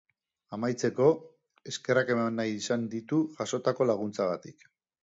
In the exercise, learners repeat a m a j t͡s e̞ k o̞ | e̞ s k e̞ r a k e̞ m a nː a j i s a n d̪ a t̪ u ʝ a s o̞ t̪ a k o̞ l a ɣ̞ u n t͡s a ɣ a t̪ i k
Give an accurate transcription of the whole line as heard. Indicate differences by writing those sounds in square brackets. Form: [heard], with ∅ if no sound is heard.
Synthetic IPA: a m a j t͡s e̞ k o̞ | e̞ s k e̞ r a k e̞ m a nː a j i s a n d̪ [i] t̪ u ʝ a s o̞ t̪ a k o̞ l a ɣ̞ u n t͡s a ɣ a t̪ i k